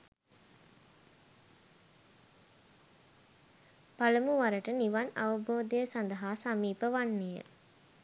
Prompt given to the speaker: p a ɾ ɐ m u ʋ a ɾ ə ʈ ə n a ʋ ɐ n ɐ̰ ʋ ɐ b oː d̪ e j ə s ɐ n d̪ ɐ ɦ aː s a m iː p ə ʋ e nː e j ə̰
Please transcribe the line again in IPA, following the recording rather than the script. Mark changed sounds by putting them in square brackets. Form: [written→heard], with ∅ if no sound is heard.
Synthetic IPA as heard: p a [ɾ→l] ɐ m u ʋ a ɾ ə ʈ ə n [a→i] ʋ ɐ n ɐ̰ ʋ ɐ b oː d̪ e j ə s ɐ n d̪ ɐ ɦ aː s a m iː p ə ʋ [e→a] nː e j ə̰